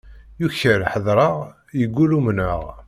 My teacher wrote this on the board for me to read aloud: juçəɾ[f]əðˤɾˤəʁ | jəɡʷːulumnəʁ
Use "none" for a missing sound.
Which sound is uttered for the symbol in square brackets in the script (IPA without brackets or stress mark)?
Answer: ħ